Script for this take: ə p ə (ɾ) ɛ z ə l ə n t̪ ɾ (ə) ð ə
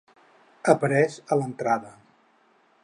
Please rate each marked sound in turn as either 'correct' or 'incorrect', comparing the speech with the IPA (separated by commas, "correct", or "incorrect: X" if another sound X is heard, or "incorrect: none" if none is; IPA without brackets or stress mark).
correct, incorrect: a